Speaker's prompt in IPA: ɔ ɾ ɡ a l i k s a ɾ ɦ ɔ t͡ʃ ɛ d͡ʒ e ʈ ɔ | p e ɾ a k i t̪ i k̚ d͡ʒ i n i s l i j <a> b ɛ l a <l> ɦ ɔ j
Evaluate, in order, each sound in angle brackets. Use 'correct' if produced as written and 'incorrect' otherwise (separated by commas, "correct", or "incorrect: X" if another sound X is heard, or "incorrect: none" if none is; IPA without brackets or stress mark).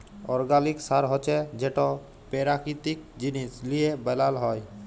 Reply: incorrect: e, correct